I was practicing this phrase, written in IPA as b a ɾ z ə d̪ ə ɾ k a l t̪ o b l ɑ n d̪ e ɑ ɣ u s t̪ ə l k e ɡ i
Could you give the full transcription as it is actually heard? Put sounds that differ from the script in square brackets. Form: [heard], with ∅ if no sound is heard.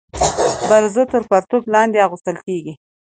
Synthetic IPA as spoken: b a ɾ z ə [t̪] ə ɾ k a [ɾ] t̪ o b l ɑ n d̪ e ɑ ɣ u s t̪ ə l k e ɡ i

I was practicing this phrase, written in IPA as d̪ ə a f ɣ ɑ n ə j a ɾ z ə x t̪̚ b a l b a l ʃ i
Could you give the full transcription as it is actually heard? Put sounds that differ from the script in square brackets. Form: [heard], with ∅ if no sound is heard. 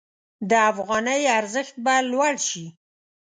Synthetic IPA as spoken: d̪ ə a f ɣ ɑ n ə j a ɾ z ə x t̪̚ b a l [w] a [ɽ] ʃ i

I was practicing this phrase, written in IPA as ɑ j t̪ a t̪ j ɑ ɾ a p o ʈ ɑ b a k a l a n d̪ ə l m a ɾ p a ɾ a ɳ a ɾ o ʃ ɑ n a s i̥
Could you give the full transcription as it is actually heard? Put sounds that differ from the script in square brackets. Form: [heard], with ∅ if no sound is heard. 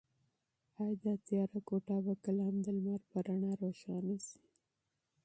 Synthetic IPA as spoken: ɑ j [d̪] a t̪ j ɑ ɾ a [k] o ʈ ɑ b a k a l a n d̪ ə l m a ɾ p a ɾ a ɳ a ɾ o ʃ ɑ n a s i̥

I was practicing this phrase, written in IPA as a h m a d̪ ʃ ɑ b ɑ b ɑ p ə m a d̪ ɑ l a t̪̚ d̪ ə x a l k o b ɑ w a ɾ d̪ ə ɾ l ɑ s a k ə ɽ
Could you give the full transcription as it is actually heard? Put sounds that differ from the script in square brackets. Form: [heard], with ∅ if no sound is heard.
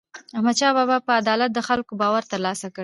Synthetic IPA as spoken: a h m a d̪ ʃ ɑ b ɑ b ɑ p ə [∅] a d̪ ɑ l a t̪̚ d̪ ə x a l k o b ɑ w a ɾ [t̪] ə ɾ l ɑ s a k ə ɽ

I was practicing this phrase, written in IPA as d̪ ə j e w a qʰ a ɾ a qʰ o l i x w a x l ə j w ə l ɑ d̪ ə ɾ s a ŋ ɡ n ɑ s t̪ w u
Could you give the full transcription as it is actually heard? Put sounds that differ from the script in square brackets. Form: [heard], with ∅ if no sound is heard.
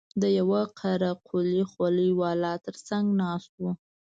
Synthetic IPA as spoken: d̪ ə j [a] w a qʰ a ɾ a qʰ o l i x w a [∅] l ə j w [ɑ] l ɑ [t̪] ə ɾ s a ŋ ɡ n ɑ s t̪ w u

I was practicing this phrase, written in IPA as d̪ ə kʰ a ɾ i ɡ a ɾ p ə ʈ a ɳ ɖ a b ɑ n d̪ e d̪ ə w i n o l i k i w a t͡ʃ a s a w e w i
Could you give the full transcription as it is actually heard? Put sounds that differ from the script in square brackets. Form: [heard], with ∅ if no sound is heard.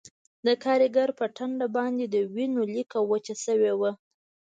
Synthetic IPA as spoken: d̪ ə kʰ [ɑ] ɾ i ɡ a ɾ p ə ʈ a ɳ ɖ a b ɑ n d̪ e d̪ ə w i n o l i k [a] w a t͡ʃ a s [ə] w e w [a]

